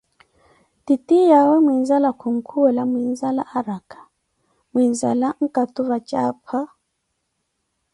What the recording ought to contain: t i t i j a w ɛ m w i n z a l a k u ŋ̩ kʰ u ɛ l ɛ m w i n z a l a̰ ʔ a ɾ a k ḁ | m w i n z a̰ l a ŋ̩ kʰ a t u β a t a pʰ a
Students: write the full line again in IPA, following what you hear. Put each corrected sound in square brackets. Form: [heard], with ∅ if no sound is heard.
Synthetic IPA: t i t i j a w ɛ m w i n z a l a k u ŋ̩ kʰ u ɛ l [a] m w i n z a l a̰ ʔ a ɾ a k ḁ | m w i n z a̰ l a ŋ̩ [k] a t u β a [t͡ʃ] a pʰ a